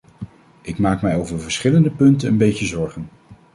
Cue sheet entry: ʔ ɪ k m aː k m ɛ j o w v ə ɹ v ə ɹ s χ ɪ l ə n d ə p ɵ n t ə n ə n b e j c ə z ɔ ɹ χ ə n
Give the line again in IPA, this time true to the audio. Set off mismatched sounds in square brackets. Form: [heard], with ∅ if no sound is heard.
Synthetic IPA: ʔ ɪ k m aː k m ɛ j o w v ə ɹ v ə ɹ s χ ɪ l ə n d ə p ɵ n t ə n ə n b e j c ə z ɔ ɹ χ ə n

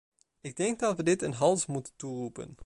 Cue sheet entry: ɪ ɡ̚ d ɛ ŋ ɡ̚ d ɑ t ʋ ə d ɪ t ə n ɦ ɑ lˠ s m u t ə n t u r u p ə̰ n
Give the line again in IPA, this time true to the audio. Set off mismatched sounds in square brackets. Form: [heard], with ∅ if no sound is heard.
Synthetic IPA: ɪ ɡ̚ d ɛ ŋ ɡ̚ d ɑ t ʋ ə d ɪ t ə n ɦ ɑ lˠ s m u t ə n t u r u p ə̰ n

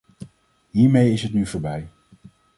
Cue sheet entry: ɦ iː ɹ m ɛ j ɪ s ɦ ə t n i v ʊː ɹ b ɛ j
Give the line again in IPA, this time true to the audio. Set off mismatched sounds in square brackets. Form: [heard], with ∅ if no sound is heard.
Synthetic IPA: ɦ iː ɹ m [e] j ɪ s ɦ ə t n [y] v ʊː ɹ b ɛ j

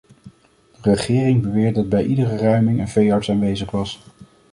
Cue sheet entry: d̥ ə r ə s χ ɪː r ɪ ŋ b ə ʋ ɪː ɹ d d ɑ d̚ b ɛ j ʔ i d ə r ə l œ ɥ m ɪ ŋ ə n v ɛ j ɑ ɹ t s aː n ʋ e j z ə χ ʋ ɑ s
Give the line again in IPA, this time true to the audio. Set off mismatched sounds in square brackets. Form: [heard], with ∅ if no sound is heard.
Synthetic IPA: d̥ ə r ə [∅] χ ɪː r ɪ ŋ b ə ʋ ɪː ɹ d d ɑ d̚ b ɛ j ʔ i d ə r ə [r] œ ɥ m ɪ ŋ ə n v [e] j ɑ ɹ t s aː n ʋ e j z ə χ ʋ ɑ s

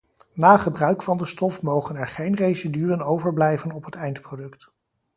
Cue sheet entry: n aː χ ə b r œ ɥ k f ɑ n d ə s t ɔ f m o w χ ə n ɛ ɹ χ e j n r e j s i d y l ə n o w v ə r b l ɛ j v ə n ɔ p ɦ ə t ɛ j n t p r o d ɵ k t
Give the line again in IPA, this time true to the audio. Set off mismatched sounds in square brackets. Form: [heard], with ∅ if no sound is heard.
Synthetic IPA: n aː χ ə b r œ ɥ k f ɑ n d ə s t ɔ f m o w χ ə n ɛ ɹ χ e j n r e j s i d y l ə n o w v ə [ɹ] b l ɛ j v ə n ɔ p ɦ ə t ɛ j n t p r o d ɵ k t

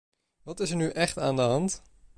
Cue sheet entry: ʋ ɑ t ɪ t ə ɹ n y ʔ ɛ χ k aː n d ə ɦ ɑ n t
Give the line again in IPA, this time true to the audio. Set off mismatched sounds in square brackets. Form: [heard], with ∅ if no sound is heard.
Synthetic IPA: ʋ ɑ t ɪ [s] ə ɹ n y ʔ ɛ χ [t] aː n d ə ɦ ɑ n t

